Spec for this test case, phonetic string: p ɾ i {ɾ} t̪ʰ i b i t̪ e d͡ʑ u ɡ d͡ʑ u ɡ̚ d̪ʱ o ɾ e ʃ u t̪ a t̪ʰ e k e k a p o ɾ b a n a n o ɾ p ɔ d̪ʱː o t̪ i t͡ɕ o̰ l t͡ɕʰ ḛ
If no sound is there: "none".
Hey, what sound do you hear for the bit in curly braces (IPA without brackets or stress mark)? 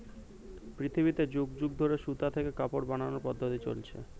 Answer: none